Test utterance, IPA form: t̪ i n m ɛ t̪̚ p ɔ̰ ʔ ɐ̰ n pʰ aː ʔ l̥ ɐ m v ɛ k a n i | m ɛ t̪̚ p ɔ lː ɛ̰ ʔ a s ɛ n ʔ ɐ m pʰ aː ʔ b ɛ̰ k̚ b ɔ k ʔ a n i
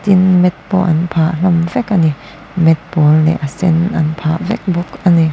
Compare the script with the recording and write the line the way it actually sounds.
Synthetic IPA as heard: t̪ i n m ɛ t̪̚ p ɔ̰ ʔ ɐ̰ n pʰ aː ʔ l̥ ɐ m v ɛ k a n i | m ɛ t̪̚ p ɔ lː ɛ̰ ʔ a s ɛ n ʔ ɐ n pʰ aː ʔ v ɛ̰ k̚ b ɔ k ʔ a n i